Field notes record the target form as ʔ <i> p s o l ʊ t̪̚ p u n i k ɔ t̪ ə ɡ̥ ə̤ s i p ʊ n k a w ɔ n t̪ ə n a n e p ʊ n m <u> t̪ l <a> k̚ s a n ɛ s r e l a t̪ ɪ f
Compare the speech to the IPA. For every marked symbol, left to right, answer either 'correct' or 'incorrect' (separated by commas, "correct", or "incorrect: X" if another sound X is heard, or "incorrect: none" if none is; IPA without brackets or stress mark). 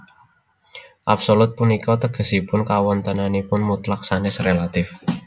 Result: incorrect: a, correct, correct